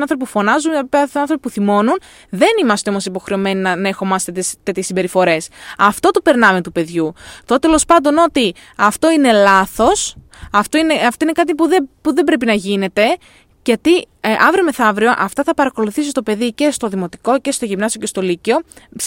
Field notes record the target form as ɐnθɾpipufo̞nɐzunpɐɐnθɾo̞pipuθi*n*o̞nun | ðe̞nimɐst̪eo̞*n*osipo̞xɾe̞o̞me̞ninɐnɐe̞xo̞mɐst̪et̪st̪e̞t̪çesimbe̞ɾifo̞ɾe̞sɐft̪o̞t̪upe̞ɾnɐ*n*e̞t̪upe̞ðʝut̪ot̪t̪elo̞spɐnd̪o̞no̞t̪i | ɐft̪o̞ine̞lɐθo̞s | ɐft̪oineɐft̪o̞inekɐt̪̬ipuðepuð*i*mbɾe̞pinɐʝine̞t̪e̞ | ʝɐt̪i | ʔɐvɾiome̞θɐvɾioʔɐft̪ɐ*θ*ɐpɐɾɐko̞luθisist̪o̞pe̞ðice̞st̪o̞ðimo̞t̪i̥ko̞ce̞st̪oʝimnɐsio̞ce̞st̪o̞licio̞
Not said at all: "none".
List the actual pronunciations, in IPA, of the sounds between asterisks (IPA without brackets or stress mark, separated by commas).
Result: m, m, m, e, θ